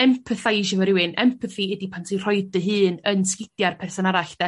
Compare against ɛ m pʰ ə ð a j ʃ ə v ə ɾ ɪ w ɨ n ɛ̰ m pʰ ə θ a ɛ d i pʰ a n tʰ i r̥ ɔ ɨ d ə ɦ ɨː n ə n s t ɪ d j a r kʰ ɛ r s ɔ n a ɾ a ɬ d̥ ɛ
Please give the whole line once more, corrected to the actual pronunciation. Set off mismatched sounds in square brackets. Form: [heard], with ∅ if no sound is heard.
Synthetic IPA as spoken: ɛ m pʰ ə [θ] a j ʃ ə v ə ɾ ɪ w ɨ n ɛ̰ m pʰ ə θ [i] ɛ d i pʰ a n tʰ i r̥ ɔ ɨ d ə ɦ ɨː n ə n s [k] ɪ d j a r [pʰ] ɛ r s ɔ n a ɾ a ɬ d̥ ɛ